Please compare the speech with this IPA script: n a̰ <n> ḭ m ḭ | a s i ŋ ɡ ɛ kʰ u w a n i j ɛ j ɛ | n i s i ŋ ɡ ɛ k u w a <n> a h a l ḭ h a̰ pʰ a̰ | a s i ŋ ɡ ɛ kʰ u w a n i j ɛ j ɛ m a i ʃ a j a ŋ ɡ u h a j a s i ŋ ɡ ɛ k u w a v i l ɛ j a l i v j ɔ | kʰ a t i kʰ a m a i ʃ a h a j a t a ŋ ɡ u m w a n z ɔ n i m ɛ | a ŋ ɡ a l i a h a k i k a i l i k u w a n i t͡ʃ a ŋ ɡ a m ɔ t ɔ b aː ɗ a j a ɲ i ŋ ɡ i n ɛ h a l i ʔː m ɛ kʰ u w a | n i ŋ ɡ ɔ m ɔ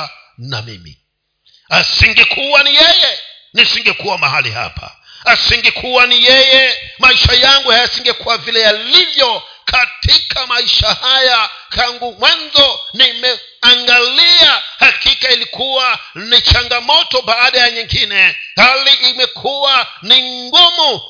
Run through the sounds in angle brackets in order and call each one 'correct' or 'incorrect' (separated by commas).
incorrect, incorrect